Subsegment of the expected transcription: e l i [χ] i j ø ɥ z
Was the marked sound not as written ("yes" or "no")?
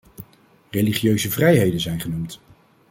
no